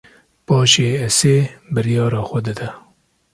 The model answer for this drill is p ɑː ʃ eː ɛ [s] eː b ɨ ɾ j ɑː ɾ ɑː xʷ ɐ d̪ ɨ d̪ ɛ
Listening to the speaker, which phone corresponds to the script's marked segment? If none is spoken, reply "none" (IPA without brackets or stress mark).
s